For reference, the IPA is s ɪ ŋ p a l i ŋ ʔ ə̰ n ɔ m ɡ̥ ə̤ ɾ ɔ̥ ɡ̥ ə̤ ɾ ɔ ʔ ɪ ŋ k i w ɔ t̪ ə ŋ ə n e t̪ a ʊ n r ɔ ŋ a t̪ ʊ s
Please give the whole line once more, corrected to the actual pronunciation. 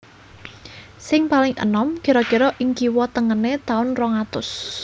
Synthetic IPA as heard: s ɪ ŋ p a l ɪ ŋ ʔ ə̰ n ɔ m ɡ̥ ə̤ ɾ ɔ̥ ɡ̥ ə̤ ɾ ɔ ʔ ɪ ŋ k i w ɔ t̪ ə ŋ ə n e t̪ a ʊ n r ɔ ŋ a t̪ ʊ s